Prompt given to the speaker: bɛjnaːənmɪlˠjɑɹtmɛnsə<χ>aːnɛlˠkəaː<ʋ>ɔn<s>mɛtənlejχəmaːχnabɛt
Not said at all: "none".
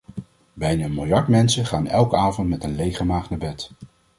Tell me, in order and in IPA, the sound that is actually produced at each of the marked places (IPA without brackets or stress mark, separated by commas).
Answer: χ, v, t